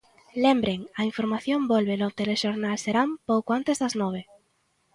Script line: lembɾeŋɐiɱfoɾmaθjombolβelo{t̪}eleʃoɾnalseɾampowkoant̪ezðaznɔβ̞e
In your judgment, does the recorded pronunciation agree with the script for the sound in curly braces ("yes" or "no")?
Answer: yes